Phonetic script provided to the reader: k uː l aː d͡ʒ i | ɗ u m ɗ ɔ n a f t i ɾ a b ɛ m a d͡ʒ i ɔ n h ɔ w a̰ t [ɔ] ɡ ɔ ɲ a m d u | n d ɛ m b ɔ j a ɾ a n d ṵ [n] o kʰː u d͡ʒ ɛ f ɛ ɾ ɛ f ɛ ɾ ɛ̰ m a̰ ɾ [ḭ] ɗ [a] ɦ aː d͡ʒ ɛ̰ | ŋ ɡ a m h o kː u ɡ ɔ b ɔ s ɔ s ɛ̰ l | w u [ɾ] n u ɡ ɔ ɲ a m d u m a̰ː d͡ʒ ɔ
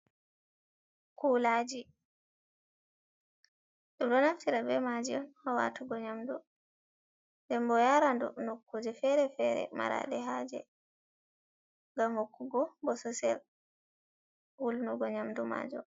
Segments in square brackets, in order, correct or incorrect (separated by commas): incorrect, correct, incorrect, incorrect, incorrect